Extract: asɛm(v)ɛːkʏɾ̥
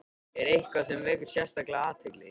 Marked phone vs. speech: correct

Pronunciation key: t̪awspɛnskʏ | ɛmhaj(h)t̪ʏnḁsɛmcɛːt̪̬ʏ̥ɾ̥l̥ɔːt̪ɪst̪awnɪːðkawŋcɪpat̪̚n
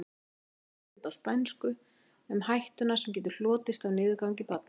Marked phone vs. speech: correct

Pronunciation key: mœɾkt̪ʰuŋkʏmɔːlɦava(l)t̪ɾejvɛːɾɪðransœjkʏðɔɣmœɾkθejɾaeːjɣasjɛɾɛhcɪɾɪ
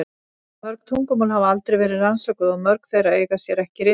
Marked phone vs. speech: correct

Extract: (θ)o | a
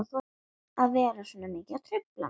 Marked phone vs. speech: correct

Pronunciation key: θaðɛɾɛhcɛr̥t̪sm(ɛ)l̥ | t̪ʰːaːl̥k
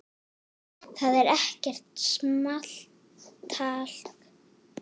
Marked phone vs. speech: incorrect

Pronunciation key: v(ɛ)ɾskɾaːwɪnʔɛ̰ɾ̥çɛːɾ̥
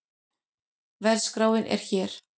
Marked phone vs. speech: correct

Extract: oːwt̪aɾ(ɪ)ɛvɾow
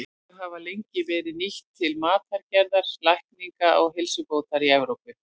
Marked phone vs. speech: incorrect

